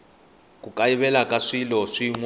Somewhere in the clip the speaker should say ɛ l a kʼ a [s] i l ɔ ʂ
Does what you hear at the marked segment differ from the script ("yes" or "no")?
yes